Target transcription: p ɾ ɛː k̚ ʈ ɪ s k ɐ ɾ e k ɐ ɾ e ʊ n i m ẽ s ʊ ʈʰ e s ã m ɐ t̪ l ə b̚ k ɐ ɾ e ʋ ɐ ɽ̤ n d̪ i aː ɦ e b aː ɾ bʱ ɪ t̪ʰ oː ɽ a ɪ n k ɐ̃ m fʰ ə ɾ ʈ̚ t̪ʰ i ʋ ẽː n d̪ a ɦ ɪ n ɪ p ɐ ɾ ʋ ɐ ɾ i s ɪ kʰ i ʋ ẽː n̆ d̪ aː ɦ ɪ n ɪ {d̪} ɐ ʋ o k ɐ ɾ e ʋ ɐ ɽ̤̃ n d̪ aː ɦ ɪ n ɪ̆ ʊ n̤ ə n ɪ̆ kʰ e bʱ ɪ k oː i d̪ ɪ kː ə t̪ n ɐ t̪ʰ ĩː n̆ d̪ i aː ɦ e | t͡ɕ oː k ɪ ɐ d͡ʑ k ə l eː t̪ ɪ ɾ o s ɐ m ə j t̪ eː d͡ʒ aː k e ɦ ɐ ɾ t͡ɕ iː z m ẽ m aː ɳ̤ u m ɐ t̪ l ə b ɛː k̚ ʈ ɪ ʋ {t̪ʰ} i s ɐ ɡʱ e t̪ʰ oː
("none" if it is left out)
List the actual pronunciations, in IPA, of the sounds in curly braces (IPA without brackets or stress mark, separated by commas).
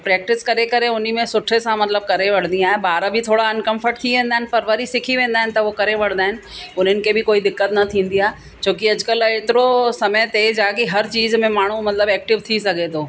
t̪, t̪ʰ